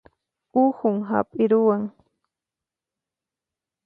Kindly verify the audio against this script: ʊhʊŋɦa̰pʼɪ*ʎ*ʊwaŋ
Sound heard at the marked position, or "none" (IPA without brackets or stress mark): ɾ